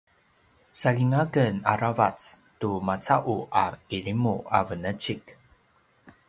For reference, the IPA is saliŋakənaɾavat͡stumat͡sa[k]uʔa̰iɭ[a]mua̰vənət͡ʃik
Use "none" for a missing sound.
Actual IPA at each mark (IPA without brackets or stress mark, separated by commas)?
ʔ, i